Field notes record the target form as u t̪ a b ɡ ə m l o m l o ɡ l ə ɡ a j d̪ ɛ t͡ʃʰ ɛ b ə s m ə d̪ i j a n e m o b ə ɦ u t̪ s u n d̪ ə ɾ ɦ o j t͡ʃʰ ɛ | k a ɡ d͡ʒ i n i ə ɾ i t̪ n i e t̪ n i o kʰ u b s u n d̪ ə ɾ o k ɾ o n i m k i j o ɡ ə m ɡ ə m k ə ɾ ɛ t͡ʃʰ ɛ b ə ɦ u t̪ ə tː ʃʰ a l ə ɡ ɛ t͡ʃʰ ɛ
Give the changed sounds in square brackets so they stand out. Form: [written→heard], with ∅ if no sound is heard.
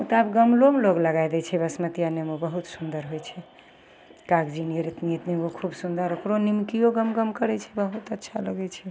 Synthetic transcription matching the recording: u t̪ a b ɡ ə m l o m l o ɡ l ə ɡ a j d̪ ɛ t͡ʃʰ ɛ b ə s m ə [d̪→t̪] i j a n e m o b ə ɦ u t̪ s u n d̪ ə ɾ ɦ o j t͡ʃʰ ɛ | k a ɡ d͡ʒ i n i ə ɾ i t̪ n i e t̪ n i o kʰ u b s u n d̪ ə ɾ o k ɾ o n i m k i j o ɡ ə m ɡ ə m k ə ɾ ɛ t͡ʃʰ ɛ b ə ɦ u t̪ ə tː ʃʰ a l ə ɡ ɛ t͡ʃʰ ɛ